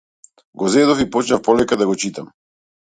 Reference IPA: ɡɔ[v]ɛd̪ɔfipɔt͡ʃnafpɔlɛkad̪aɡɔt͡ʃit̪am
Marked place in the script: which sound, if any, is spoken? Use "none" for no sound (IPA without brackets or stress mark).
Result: z